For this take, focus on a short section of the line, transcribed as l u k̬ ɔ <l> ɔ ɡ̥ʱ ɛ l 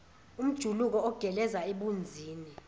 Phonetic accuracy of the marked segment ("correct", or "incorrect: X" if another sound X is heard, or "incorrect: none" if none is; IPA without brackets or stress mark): incorrect: none